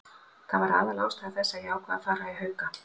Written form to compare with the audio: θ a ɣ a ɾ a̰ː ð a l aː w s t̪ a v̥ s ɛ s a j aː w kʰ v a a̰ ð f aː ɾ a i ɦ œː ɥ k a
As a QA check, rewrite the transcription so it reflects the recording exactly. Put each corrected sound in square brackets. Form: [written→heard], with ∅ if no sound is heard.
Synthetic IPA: θ a [ɣ→v] a ɾ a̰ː ð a l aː w s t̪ a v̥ [s→θ] ɛ [s→sː] a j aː w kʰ v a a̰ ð f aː ɾ a i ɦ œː ɥ k a